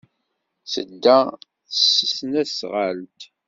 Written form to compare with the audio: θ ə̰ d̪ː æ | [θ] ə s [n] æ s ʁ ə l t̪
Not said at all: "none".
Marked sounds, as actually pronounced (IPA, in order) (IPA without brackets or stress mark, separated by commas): s, n